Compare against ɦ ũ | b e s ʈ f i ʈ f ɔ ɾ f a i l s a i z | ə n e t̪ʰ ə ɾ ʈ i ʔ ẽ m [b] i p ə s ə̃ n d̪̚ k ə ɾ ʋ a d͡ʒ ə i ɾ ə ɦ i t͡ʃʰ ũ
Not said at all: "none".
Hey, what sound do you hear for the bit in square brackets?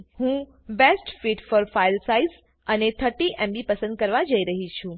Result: b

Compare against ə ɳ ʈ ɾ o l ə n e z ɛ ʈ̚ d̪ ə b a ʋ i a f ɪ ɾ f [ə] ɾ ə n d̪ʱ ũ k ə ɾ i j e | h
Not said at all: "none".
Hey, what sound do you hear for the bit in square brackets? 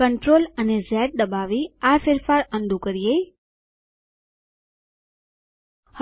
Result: a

